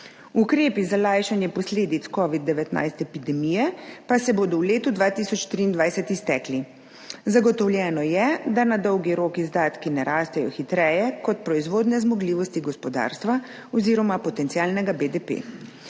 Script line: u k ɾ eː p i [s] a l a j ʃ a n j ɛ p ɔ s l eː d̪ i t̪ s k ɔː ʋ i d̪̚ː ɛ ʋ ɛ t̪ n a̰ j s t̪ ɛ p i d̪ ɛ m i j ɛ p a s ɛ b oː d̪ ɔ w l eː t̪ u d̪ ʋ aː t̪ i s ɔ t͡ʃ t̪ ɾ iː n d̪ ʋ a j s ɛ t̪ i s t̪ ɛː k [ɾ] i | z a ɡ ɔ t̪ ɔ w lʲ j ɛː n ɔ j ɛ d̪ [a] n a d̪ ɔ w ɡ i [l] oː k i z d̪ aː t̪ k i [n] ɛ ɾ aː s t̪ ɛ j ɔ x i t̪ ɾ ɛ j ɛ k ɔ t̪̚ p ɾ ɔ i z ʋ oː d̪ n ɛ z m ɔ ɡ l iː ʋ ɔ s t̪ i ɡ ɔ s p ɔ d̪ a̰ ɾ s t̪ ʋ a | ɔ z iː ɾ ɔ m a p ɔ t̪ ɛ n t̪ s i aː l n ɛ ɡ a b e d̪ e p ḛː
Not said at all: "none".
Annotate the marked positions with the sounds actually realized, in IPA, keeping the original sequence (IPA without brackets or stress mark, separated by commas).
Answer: z, l, a, ɾ, n